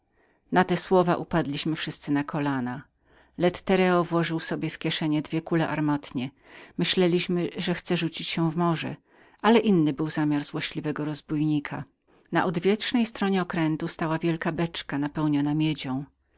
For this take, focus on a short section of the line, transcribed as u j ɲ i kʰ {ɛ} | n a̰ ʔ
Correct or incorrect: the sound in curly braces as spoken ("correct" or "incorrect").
incorrect